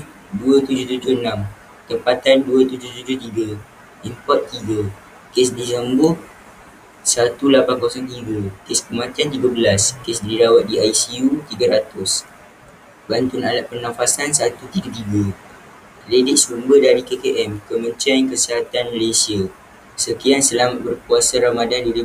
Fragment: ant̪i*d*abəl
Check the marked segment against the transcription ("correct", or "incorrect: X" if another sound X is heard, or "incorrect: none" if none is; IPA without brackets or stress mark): incorrect: ɡ